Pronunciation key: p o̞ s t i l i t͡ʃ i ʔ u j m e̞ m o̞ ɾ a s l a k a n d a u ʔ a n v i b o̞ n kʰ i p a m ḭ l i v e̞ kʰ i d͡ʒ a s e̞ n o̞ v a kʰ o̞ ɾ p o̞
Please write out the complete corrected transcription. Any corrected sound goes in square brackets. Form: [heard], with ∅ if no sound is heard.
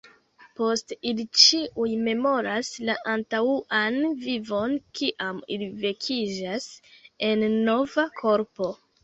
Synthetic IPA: p o̞ s t i l i t͡ʃ i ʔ u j m e̞ m o̞ ɾ a s l a [ʔ] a n [t] a u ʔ a n v i [v] o̞ n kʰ i [ʔ] a m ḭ l i v e̞ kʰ i d͡ʒ a s e̞ [nː] o̞ v a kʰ o̞ ɾ p o̞